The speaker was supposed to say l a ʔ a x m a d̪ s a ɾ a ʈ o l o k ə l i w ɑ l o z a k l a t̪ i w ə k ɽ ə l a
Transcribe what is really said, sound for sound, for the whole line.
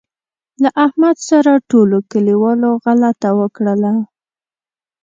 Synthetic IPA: l a ʔ a h m a d̪ s a ɾ a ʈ o l o k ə l i w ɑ l o ɣ a l a t̪ a w ə k ɽ ə l a